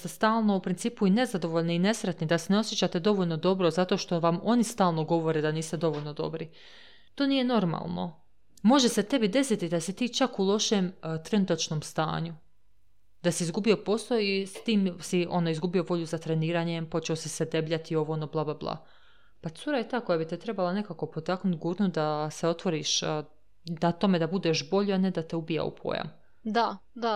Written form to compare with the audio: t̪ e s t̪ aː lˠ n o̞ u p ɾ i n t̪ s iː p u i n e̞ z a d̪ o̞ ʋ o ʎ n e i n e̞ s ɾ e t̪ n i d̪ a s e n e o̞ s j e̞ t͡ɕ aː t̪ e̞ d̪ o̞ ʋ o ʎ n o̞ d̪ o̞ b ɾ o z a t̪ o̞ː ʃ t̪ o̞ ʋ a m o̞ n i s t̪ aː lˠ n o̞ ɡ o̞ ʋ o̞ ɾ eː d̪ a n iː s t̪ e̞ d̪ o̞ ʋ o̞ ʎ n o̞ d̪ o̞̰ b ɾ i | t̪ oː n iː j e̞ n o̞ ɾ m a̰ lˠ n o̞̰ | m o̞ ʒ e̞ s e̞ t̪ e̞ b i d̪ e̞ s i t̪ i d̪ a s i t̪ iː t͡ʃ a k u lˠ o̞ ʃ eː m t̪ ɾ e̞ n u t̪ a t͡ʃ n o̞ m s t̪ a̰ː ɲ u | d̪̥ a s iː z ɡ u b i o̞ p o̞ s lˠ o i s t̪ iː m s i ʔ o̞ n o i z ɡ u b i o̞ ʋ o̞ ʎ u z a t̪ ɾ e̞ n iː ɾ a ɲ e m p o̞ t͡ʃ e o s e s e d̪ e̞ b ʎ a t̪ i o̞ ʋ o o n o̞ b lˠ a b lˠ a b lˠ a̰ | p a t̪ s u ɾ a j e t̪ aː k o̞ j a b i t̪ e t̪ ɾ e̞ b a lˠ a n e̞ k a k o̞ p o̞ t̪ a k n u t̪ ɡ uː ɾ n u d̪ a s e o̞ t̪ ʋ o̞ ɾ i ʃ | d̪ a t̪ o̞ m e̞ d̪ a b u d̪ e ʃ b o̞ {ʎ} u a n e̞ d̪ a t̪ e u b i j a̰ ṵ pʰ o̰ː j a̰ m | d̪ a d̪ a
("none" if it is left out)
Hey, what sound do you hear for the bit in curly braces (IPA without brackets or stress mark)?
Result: ʎ